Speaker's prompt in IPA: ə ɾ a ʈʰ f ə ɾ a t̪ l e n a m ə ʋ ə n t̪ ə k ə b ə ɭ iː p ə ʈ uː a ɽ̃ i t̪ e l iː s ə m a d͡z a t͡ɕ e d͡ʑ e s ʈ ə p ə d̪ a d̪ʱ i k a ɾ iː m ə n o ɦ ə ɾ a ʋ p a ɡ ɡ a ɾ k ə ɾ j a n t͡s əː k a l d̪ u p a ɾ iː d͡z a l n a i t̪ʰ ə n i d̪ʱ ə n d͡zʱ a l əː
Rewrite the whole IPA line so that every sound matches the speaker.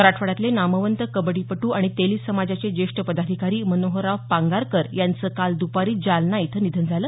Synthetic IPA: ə ɾ a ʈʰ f ə ɽ a t̪ l e n a m ə ʋ ə n t̪ ə k ə b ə ɽ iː p ə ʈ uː a ɽ̃ i t̪ e l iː s ə m a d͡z a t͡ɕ e d͡ʑ e ʂ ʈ ə p ə d̪ a d̪ʱ i k a ɾ iː m ə n o ɦ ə ɾ a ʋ p a ŋ ɡ a ɾ k ə ɾ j a n t͡s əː k a l d̪ u p a ɾ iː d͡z a l n a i t̪ʰ ə n i d̪ʱ ə n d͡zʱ a l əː